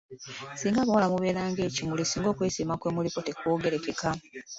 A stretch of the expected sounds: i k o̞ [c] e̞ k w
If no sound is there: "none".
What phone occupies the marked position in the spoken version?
t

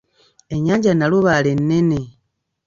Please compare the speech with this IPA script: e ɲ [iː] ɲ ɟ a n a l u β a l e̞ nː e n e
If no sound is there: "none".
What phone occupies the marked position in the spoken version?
aː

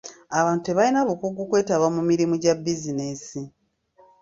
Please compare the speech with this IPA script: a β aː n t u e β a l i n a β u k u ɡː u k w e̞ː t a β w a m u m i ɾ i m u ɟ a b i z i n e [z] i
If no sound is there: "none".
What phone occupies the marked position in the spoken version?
s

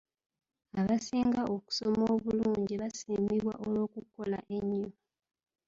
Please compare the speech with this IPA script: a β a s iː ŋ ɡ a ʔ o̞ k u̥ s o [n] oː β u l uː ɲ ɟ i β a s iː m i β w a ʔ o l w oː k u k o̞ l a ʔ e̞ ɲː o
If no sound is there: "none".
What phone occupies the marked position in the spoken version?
m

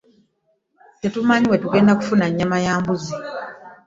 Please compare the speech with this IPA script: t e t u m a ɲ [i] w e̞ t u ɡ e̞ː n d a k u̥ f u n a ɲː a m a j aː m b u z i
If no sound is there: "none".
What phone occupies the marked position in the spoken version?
i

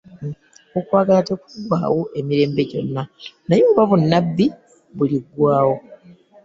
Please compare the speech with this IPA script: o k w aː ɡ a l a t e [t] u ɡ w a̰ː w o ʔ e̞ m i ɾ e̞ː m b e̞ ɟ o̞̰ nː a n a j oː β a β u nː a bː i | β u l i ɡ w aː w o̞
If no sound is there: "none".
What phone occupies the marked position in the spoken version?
k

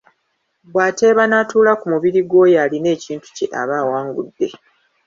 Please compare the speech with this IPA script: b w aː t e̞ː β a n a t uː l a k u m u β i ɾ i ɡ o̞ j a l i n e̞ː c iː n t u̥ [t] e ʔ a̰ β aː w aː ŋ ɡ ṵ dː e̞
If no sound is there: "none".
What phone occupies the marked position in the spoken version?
c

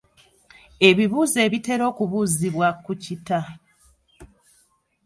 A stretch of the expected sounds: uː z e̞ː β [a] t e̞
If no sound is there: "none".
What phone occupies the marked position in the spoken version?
i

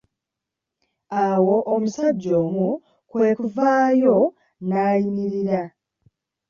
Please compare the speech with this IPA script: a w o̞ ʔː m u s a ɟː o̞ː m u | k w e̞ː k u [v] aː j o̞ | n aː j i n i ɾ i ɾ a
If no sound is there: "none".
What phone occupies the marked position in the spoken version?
v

